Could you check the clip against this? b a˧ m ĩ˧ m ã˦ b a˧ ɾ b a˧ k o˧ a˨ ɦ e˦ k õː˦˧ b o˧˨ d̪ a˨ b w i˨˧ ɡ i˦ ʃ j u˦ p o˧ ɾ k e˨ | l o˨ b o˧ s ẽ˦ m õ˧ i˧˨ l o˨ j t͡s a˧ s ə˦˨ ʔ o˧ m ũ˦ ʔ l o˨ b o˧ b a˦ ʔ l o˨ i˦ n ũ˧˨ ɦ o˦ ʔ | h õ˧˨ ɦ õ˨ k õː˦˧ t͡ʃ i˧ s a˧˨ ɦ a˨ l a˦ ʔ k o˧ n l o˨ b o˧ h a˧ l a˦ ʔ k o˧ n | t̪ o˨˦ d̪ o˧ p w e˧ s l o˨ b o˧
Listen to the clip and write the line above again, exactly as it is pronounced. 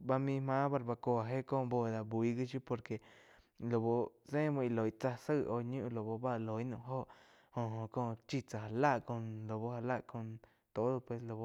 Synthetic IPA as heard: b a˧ m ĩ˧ m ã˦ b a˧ ɾ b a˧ k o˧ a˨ ɦ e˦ k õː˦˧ b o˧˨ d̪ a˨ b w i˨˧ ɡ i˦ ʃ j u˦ p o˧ ɾ k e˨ | l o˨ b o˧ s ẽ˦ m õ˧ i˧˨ l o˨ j t͡s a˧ s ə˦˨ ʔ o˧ ɲ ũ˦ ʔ l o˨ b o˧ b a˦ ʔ l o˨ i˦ n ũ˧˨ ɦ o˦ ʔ | h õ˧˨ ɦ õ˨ k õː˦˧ t͡ʃ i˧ t͡s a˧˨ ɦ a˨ l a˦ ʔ k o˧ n l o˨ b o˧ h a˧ l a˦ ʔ k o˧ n | t̪ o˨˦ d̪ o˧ p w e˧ s l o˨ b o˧